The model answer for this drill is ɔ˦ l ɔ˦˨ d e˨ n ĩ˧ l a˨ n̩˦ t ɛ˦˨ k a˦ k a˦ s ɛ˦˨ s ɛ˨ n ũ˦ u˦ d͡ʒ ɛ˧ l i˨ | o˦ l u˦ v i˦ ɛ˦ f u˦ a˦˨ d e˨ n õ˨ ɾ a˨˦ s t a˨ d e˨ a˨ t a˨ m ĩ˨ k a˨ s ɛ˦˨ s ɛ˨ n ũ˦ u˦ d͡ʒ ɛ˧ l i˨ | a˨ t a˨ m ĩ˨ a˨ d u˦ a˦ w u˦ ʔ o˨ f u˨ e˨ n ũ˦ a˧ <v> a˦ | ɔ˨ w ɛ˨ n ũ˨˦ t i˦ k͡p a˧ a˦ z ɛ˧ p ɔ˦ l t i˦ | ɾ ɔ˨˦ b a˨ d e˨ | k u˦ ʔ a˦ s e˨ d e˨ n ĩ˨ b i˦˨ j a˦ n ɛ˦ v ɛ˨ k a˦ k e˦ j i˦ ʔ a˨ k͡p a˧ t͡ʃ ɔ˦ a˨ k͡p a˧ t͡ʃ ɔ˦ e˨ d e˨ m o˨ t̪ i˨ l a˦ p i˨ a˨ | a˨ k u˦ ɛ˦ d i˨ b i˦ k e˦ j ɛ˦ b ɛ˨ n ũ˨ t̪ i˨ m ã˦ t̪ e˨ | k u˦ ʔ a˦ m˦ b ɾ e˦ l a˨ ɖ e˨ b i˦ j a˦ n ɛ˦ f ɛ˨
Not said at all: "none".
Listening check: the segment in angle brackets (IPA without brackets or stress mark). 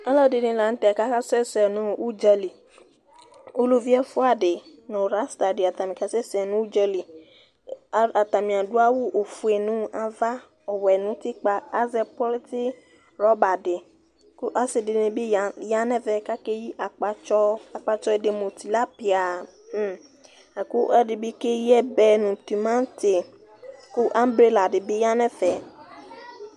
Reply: v